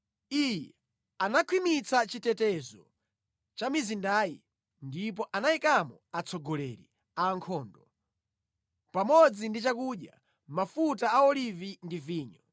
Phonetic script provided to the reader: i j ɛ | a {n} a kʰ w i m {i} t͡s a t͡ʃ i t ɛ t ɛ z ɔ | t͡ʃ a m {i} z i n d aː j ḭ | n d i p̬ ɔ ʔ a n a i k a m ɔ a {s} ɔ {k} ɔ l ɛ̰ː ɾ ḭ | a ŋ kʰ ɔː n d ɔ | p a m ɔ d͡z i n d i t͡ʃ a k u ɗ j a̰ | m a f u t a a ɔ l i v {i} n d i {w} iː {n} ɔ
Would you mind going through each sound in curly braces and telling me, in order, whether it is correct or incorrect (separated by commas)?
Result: correct, correct, correct, incorrect, incorrect, correct, incorrect, incorrect